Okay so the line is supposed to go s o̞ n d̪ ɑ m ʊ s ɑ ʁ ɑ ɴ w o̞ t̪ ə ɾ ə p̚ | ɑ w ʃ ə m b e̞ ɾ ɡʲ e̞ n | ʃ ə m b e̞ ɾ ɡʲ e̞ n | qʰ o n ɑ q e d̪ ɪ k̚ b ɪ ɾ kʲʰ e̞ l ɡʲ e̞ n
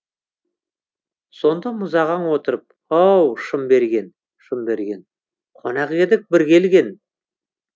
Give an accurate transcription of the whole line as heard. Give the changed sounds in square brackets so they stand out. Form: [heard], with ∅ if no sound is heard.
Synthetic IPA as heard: s o̞ n d̪ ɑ m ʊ [z] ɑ ʁ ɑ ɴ w o̞ t̪ ə ɾ ə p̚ | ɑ w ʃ ə m b e̞ ɾ ɡʲ e̞ n | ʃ ə m b e̞ ɾ ɡʲ e̞ n | qʰ o n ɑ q e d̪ ɪ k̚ b ɪ ɾ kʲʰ e̞ l ɡʲ e̞ n